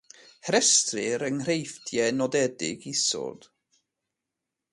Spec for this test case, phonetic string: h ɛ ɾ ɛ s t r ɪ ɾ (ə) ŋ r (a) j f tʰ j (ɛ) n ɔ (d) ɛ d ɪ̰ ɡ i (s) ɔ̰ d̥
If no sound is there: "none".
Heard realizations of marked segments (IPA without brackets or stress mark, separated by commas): ə, e, ɛ, d, s